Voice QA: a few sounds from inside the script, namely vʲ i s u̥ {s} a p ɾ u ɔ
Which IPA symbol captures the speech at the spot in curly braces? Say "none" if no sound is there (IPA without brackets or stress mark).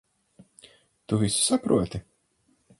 s